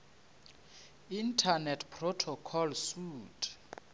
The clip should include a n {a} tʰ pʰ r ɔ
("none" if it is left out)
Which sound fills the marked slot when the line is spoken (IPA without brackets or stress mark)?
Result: ɛ